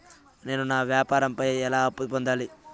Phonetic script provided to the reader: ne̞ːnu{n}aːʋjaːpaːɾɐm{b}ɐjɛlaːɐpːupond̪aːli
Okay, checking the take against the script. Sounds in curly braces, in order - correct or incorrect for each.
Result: correct, incorrect: p

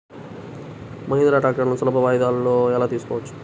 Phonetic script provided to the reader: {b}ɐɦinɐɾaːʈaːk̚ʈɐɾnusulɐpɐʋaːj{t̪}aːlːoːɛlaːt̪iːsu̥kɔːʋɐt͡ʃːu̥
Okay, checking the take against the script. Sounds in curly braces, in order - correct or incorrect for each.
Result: incorrect: m, incorrect: d̪

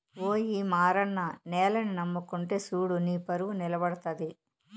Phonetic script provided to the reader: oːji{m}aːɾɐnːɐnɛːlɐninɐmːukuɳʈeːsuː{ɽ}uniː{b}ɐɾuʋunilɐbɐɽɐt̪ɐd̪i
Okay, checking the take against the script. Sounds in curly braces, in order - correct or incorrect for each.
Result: correct, correct, incorrect: p

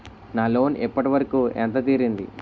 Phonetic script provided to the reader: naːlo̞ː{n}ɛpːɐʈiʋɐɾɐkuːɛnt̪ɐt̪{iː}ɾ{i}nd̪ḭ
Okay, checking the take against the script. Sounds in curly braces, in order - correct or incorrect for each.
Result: correct, correct, correct

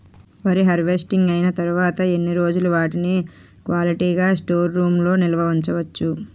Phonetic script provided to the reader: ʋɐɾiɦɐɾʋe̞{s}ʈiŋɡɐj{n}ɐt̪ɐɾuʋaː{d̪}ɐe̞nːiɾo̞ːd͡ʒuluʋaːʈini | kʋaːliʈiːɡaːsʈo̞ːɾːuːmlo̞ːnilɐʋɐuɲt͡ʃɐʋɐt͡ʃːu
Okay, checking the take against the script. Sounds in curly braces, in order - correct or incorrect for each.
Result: correct, correct, incorrect: t̪

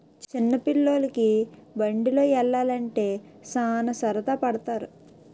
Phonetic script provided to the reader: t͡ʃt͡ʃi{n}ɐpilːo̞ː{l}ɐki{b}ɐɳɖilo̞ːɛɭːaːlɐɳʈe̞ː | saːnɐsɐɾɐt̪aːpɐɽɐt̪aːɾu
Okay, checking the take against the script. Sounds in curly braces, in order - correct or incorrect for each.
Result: incorrect: nː, correct, correct

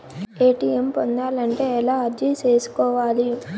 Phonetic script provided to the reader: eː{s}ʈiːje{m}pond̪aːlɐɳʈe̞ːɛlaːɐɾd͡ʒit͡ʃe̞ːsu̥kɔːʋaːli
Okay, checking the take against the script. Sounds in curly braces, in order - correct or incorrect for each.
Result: incorrect: none, correct

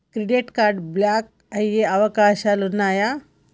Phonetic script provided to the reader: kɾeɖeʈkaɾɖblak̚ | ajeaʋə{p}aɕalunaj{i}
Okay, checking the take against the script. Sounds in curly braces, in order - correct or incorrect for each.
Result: incorrect: k, incorrect: a

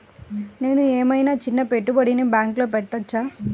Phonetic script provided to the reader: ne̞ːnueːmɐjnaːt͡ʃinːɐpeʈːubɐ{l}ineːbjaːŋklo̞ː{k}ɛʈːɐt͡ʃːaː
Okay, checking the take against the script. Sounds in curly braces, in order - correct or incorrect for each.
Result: incorrect: ɽ, incorrect: p

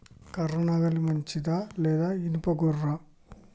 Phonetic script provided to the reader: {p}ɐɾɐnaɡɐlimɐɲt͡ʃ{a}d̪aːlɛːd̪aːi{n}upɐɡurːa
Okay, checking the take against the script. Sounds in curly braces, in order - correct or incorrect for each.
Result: incorrect: k, incorrect: i, correct

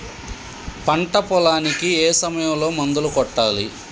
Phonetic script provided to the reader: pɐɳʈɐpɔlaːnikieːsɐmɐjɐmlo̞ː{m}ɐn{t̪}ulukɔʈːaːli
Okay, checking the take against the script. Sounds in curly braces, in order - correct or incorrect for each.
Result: correct, incorrect: d̪

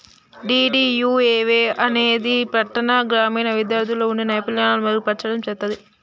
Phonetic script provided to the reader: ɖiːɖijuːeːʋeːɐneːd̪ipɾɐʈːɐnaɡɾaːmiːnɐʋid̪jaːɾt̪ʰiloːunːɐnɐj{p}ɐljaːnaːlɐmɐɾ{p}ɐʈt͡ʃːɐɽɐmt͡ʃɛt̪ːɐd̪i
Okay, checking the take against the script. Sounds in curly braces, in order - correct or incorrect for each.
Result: correct, correct

